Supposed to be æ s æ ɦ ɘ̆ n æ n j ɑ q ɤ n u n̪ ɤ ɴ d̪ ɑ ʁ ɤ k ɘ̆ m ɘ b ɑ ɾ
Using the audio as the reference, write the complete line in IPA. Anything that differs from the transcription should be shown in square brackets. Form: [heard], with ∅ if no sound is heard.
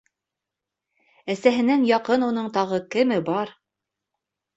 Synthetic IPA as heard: æ s æ ɦ ɘ̆ n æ [ŋ] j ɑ q ɤ n u n̪ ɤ ɴ [t̪] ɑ ʁ ɤ k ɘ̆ m ɘ b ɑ ɾ

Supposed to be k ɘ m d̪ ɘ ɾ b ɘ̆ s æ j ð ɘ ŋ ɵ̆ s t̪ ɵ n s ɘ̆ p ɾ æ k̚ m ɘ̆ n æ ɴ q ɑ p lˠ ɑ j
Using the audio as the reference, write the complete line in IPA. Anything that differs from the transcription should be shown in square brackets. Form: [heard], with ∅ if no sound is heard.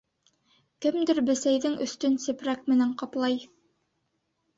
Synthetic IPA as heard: k ɘ m d̪ ɘ ɾ b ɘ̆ s æ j ð ɘ ŋ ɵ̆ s t̪ ɵ n s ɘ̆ p ɾ æ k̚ m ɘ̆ n æ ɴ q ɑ p lˠ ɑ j

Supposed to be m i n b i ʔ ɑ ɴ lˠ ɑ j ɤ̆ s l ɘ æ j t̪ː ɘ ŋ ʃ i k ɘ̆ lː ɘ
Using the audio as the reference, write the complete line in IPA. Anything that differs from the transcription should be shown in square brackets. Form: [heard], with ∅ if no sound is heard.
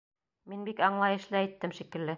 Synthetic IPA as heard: m i n b i [k] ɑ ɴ lˠ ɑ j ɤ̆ [ʃ] l ɘ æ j t̪ː ɘ [m] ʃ i k ɘ̆ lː ɘ

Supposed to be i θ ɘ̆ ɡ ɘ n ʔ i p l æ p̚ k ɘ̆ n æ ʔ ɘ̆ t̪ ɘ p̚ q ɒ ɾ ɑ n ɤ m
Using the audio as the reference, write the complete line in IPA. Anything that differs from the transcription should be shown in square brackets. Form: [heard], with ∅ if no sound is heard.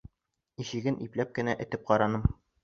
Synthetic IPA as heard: i [ɕ] ɘ̆ ɡ ɘ n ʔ i p l æ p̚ k ɘ̆ n æ ʔ ɘ̆ t̪ ɘ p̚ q ɒ ɾ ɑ n ɤ m

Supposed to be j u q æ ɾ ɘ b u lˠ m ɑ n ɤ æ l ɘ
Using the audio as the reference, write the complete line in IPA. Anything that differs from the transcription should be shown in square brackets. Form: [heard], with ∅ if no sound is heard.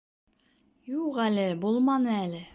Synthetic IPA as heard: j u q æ [l] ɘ b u lˠ m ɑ n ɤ æ l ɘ

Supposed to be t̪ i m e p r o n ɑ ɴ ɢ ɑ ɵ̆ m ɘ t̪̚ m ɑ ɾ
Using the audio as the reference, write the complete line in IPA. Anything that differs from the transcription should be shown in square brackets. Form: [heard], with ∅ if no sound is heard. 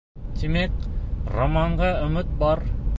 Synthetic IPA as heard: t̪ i m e [k] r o [m] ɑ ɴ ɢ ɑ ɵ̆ m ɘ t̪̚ [b] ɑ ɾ

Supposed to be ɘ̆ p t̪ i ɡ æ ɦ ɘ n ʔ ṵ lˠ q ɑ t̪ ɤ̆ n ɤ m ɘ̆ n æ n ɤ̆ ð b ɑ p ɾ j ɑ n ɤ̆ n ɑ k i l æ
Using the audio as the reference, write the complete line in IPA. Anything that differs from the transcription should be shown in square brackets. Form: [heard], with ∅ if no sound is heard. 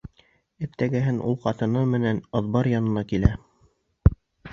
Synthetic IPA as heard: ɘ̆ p t̪ [æ] ɡ æ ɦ ɘ n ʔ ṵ lˠ q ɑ t̪ ɤ̆ n ɤ m ɘ̆ n æ n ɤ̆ ð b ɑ [∅] ɾ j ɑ n ɤ̆ n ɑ k i l æ

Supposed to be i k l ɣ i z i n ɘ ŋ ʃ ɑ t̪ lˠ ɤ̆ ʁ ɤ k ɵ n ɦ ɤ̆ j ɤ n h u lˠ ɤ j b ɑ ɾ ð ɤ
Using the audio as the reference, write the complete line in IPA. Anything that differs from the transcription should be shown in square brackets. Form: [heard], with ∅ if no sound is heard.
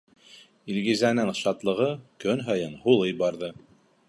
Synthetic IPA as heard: i [∅] l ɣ i z [æ] n ɘ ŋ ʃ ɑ t̪ lˠ ɤ̆ ʁ ɤ k ɵ n ɦ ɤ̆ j ɤ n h u lˠ ɤ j b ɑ ɾ ð ɤ

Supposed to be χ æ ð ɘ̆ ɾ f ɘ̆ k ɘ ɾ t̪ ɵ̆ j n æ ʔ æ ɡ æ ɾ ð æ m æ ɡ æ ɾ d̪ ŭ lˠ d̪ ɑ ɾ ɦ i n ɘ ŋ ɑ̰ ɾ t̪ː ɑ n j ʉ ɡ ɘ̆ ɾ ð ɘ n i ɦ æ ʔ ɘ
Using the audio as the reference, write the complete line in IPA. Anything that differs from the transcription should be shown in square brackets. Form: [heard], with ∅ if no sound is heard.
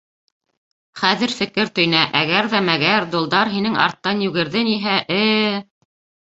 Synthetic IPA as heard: χ æ ð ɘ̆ ɾ f ɘ̆ k ɘ ɾ t̪ ɵ̆ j n æ ʔ æ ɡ æ ɾ ð æ m æ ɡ æ ɾ d̪ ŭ lˠ d̪ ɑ ɾ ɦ i n ɘ ŋ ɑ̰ ɾ t̪ː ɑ n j ʉ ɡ ɘ̆ ɾ ð ɘ n i ɦ æ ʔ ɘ

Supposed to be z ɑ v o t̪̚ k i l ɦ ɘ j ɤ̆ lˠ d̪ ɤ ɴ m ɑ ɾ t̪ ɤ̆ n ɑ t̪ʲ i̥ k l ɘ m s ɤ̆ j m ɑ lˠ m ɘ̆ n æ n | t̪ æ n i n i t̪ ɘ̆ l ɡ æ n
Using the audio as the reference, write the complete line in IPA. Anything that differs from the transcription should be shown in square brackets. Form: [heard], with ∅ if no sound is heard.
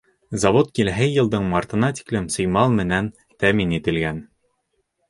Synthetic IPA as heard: z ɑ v o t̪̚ k i l ɦ ɘ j ɤ̆ lˠ d̪ ɤ ɴ m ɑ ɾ t̪ ɤ̆ n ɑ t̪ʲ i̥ k l ɘ m s ɤ̆ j m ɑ lˠ m ɘ̆ n æ n | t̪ æ [m] i n i t̪ ɘ̆ l ɡ æ n

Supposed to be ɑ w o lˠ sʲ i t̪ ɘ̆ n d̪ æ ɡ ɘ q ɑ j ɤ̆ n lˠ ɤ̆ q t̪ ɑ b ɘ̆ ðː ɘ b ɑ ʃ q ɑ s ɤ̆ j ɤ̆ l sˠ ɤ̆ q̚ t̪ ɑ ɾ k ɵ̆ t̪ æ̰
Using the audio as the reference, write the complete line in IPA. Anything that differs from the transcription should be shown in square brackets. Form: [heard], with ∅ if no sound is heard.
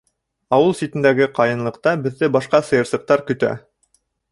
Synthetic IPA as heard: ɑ w [ɤ] lˠ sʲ i t̪ ɘ̆ n d̪ æ ɡ ɘ q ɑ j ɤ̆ n lˠ ɤ̆ q t̪ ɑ b ɘ̆ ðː ɘ b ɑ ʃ q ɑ s ɤ̆ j ɤ̆ [ɾ] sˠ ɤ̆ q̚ t̪ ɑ ɾ k ɵ̆ t̪ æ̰

